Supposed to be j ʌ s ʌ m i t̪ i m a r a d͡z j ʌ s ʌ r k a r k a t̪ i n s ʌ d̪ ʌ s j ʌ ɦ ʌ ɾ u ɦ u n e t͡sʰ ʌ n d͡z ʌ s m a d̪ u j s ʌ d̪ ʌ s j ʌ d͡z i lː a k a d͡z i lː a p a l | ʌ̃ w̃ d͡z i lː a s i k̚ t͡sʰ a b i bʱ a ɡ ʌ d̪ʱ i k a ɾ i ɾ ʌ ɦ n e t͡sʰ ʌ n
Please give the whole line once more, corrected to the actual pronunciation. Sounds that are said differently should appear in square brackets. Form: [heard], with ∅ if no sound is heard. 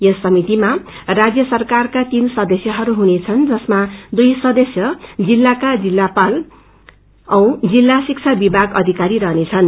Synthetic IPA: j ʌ s ʌ m i t̪ i m a r a d͡z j ʌ s ʌ r k a r k a t̪ i n s ʌ d̪ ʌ s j ʌ ɦ ʌ ɾ u ɦ u n e t͡sʰ ʌ n d͡z ʌ s m a d̪ u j s ʌ d̪ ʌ s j ʌ d͡z i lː a k a d͡z i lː a p a l | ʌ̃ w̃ d͡z i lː a s i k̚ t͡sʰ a b i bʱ a ɡ ʌ d̪ʱ i k a ɾ i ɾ ʌ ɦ n e t͡sʰ ʌ n